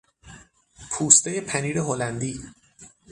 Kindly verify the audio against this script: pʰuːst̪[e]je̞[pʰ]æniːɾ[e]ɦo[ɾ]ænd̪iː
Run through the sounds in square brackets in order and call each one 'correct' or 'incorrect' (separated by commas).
correct, correct, correct, incorrect